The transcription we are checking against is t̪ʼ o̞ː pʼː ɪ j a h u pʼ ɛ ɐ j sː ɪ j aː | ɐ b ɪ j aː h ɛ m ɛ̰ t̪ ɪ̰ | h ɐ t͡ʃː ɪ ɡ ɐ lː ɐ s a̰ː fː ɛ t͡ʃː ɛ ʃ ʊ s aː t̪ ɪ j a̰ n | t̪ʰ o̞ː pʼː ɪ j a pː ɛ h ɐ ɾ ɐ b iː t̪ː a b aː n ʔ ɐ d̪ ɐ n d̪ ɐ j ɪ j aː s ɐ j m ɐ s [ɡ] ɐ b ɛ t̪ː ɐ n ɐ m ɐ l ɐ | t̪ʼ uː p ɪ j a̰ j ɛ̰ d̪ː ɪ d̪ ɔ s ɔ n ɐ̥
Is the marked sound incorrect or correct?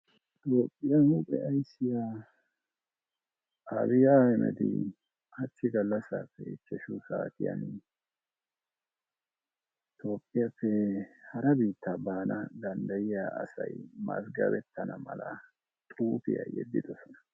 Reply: correct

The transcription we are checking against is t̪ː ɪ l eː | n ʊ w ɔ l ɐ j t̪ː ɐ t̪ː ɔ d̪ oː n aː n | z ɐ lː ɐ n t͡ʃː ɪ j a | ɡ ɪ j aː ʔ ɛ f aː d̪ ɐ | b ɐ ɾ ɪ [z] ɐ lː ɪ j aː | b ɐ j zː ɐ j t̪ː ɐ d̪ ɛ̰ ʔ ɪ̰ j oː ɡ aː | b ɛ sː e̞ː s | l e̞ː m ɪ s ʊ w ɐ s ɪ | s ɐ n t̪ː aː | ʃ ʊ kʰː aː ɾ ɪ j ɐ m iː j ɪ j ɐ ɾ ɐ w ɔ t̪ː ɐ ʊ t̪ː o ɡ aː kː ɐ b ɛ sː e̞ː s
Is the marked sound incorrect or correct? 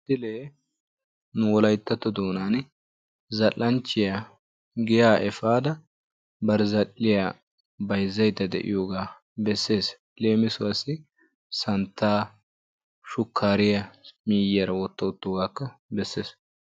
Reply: correct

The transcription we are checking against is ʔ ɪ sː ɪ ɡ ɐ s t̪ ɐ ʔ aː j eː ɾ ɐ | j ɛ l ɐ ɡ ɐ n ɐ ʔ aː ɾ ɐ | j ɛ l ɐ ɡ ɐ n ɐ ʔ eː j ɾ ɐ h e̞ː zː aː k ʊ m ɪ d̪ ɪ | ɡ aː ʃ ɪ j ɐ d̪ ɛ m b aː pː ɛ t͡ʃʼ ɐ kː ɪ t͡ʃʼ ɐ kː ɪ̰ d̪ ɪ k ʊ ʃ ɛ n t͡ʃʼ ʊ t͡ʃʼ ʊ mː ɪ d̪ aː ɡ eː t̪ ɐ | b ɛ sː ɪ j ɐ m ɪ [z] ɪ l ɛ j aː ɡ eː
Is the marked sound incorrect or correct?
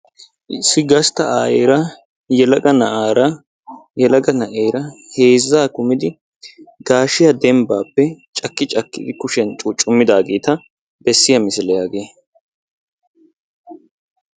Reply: incorrect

